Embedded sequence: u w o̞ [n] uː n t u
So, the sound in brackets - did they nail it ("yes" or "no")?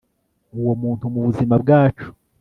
no